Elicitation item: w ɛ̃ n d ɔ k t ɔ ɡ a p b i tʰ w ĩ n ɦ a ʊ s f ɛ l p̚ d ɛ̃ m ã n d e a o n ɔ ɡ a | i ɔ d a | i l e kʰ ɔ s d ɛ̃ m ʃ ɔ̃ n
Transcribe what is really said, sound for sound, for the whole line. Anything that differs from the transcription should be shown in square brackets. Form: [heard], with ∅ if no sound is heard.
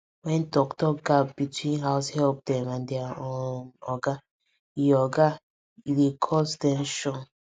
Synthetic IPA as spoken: w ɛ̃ n d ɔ k t ɔ ɡ a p b i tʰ w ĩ n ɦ a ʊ s [h] ɛ l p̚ d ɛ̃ m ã n d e a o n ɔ ɡ a | i ɔ [ɡ] a | i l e kʰ ɔ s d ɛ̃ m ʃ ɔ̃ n

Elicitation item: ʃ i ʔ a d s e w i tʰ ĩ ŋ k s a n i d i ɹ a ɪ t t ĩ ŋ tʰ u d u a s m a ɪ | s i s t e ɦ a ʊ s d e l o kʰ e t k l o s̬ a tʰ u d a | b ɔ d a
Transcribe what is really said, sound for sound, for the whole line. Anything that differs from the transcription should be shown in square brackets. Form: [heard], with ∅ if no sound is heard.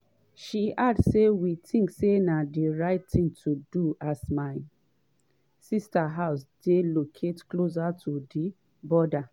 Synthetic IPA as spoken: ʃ i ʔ a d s e w i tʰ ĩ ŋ k s [e] n [a] d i ɹ a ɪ t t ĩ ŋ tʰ u d u a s m a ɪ | s i s t [a] ɦ a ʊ s d e l o kʰ e t k l o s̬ a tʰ u d [i] | b ɔ d a

